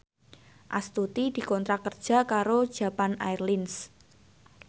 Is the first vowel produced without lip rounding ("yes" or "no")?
yes